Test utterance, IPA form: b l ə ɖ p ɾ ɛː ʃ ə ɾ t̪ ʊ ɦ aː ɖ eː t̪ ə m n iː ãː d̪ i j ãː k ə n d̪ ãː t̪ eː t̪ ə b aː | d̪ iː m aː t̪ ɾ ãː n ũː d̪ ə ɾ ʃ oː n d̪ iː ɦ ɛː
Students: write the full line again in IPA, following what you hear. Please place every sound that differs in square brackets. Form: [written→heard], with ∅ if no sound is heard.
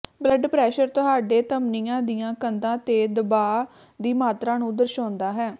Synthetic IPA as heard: b l ə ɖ p ɾ ɛː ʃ ə ɾ t̪ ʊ ɦ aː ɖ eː t̪ ə m n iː ãː d̪ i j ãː k ə n d̪ ãː t̪ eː [t̪→d̪] ə b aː | d̪ iː m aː t̪ ɾ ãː n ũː d̪ ə ɾ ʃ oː n d̪ [iː→aː] ɦ ɛː